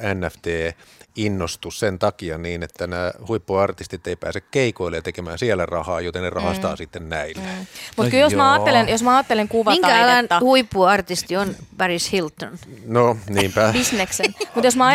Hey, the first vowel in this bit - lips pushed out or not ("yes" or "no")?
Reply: no